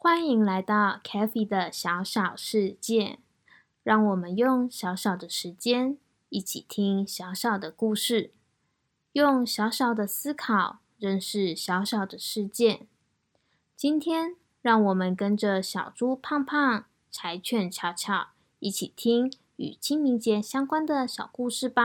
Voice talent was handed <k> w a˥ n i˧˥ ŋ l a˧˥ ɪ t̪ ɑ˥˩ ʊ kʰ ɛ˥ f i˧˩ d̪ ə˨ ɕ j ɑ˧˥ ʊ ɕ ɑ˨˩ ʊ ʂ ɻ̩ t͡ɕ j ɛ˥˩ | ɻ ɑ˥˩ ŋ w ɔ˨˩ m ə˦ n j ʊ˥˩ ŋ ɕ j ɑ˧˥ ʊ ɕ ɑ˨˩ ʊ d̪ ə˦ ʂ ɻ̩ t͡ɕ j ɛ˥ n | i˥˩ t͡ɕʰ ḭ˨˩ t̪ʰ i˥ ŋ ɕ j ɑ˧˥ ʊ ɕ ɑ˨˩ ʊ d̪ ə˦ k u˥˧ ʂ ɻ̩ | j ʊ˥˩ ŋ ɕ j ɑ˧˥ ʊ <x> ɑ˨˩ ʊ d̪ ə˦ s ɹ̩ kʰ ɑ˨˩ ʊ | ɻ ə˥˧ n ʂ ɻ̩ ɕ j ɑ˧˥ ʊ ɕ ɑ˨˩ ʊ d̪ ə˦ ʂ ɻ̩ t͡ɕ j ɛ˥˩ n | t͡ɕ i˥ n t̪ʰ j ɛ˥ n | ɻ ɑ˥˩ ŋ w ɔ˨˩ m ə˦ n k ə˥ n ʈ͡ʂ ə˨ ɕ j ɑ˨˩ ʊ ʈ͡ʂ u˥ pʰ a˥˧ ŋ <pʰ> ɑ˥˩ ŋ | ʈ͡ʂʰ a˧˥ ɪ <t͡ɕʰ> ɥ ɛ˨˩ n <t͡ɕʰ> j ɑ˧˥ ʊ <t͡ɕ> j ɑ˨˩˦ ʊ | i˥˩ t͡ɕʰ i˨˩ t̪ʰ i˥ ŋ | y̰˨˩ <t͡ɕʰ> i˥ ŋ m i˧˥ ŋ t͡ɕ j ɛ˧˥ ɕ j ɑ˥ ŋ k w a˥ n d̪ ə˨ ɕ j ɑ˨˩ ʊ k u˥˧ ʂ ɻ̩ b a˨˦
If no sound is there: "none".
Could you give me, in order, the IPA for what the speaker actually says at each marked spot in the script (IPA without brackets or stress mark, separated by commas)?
x, ɕ, pʰ, t͡ɕʰ, t͡ɕʰ, t͡ɕʰ, t͡ɕʰ